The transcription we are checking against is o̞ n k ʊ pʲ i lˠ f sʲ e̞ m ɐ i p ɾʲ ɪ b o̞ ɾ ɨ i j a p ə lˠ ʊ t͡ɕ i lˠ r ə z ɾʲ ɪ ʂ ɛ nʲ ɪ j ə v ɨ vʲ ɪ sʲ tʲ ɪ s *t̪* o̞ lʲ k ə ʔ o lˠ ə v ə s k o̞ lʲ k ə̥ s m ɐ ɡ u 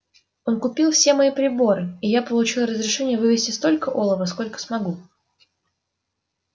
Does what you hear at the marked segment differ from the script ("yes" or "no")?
no